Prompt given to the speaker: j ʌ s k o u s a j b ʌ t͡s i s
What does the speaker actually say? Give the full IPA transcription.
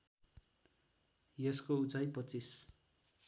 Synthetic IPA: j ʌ s k o u t͡s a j p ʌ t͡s i s